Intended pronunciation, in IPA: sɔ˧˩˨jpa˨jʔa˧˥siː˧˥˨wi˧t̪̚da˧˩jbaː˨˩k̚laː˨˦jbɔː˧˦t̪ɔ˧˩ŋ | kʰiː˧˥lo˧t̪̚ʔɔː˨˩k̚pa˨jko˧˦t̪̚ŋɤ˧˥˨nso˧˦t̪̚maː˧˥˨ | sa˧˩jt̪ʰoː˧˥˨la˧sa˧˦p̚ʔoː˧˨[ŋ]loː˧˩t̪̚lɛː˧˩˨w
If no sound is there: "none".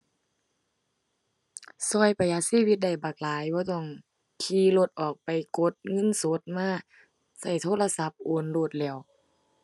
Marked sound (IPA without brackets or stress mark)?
n